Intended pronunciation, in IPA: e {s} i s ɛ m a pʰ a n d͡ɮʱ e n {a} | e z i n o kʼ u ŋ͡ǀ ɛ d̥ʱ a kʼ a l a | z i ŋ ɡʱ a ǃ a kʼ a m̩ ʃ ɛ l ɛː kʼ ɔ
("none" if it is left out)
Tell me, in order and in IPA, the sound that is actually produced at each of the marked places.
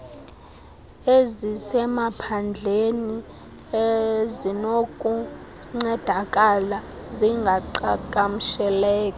z, i

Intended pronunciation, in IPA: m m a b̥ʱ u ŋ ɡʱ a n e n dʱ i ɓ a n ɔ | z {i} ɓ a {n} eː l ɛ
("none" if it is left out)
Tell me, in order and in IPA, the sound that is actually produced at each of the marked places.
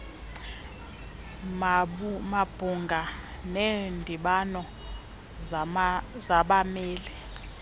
a, m

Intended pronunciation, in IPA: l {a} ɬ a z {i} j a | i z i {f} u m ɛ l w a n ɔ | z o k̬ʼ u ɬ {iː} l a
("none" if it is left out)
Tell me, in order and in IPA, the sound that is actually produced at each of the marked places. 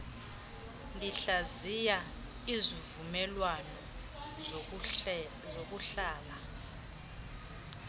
i, i, v, aː

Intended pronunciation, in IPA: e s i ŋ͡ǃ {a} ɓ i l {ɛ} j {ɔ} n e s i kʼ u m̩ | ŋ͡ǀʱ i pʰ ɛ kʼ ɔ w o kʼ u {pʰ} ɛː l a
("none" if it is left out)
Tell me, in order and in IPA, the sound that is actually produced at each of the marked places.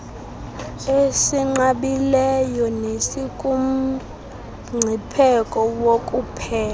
a, ɛ, ɔ, pʰ

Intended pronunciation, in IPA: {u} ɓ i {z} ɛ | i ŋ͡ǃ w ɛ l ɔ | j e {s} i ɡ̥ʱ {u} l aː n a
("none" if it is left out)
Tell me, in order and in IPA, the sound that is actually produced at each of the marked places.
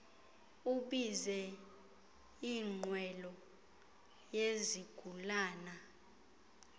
u, z, z, u

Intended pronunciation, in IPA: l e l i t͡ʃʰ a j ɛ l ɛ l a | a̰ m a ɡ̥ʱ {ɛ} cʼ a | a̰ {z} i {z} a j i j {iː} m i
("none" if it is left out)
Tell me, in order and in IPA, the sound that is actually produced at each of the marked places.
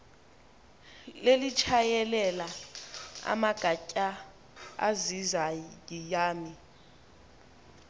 a, z, z, aː

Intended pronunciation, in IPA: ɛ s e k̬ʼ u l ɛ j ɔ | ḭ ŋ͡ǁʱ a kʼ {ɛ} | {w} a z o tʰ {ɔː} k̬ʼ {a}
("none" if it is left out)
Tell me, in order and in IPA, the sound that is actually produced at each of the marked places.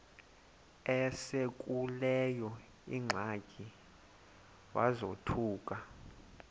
i, w, uː, a

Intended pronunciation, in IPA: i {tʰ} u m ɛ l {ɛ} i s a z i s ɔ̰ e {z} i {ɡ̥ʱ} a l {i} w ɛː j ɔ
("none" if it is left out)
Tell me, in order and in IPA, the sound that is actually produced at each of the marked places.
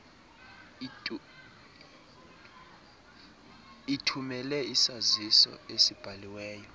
tʰ, ɛ, s, b̥ʱ, i

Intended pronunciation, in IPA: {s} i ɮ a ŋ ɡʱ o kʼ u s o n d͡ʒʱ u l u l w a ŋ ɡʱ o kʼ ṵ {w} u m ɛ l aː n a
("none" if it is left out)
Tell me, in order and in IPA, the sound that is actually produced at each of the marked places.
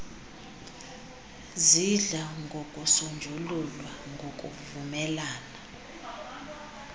z, v

